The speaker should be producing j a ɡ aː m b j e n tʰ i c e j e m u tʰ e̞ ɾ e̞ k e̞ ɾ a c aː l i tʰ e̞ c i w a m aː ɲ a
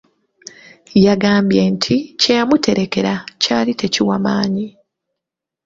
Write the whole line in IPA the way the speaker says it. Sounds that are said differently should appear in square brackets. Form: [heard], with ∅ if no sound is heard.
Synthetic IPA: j a ɡ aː m b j e n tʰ i c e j [a] m u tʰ e̞ ɾ e̞ k e̞ ɾ a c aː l i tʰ e̞ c i w a m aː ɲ [i]